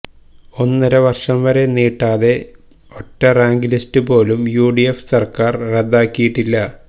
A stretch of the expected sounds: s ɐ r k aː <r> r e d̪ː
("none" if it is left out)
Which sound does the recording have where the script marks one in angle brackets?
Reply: r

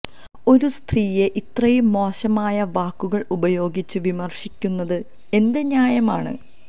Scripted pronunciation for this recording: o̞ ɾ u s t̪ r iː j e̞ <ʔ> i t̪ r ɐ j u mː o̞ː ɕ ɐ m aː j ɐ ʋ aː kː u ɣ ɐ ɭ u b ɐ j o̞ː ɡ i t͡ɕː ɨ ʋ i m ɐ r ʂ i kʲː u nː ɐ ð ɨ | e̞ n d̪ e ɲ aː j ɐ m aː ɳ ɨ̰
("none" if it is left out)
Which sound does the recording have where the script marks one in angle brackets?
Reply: ʔ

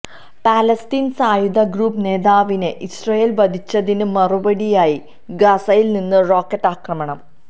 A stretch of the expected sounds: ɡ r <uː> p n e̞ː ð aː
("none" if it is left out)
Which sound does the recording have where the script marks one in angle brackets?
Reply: uː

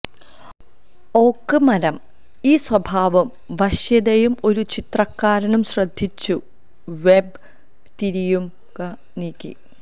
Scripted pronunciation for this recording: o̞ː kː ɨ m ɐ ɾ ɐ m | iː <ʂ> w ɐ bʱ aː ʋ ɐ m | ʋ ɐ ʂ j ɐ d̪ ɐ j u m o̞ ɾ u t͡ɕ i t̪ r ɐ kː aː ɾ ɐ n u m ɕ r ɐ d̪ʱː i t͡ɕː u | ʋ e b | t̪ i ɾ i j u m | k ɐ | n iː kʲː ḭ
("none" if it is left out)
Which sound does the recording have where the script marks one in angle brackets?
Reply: s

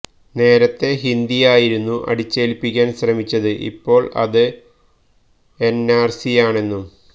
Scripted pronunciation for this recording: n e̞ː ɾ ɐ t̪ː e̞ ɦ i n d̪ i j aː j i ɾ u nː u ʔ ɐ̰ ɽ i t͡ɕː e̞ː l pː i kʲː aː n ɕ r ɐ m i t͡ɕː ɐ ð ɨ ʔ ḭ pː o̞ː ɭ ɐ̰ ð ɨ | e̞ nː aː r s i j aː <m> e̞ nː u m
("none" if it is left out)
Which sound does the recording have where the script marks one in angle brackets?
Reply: ɳ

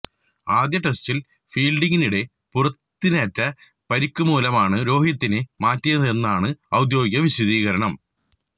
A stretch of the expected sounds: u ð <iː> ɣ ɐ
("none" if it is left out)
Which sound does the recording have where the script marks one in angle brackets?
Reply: iː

